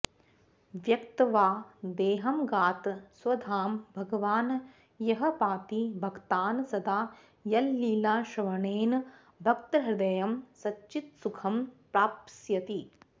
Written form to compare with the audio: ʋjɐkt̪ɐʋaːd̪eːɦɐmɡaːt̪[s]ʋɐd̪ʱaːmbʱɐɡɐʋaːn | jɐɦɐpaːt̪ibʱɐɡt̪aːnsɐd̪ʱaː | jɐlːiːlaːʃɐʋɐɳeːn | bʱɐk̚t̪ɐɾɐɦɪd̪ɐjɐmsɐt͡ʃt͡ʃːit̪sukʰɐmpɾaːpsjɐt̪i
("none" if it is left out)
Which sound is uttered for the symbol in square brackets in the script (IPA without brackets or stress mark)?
s